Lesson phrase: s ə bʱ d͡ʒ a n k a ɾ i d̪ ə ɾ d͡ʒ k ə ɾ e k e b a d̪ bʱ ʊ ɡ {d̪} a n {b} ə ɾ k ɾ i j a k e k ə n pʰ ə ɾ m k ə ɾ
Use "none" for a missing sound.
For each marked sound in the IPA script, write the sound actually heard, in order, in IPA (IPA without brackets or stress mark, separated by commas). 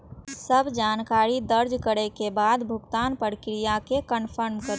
t̪, p